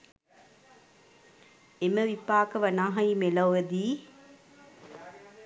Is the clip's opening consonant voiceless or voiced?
voiced